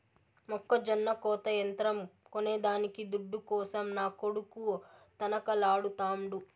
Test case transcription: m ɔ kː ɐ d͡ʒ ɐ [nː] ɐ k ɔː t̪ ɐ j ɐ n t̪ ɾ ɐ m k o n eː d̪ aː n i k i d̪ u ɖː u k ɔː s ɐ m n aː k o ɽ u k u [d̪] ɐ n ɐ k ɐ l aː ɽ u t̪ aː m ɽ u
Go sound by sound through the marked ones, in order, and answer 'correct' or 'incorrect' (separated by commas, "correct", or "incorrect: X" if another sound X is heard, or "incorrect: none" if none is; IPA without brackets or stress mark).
correct, incorrect: t̪